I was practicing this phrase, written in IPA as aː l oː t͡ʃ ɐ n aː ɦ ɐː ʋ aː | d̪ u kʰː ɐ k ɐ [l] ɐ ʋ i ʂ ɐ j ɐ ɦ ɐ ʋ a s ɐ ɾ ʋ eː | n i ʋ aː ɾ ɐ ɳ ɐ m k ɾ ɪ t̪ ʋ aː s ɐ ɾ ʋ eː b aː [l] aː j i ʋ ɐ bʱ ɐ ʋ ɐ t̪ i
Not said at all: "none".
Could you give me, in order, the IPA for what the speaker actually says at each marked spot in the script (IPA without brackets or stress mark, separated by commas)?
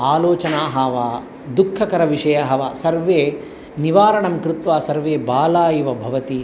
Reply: ɾ, l